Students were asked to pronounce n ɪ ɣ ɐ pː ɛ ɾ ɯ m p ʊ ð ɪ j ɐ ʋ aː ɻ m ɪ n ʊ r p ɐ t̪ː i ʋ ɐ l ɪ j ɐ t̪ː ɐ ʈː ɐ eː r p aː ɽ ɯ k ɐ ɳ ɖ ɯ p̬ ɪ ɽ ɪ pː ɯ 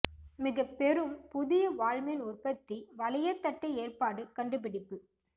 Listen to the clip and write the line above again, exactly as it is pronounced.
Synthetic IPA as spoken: m ɪ ɣ ɐ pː ɛ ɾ ɯ m p ʊ ð ɪ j ɐ ʋ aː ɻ m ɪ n ʊ r p ɐ t̪ː i ʋ ɐ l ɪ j ɐ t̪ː ɐ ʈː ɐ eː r p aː ɽ ɯ k ɐ ɳ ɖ ɯ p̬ ɪ ɽ ɪ pː ɯ